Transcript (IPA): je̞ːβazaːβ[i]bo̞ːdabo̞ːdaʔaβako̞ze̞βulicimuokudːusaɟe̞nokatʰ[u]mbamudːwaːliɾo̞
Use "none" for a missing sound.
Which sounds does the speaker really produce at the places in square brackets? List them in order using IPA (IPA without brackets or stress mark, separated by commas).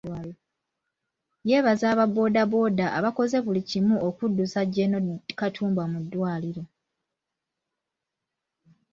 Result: a, uː